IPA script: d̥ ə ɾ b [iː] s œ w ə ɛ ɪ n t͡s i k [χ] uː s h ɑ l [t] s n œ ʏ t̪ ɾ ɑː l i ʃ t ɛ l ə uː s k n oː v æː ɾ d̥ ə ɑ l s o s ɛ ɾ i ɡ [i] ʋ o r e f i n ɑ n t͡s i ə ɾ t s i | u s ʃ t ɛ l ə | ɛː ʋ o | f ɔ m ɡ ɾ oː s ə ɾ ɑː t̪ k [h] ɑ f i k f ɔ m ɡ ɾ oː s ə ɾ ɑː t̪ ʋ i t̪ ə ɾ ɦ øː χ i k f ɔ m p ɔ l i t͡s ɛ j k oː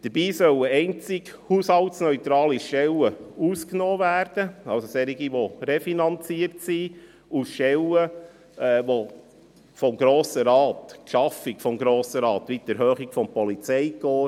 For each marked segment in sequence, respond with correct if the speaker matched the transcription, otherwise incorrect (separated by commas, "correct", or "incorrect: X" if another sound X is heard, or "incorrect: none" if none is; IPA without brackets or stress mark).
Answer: correct, incorrect: h, correct, correct, incorrect: ʃ